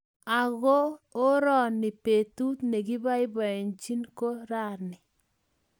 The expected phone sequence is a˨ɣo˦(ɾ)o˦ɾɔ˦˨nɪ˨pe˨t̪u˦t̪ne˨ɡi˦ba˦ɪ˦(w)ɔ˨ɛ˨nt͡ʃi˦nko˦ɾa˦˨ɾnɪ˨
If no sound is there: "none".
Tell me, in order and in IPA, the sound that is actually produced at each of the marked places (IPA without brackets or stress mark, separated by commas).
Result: none, b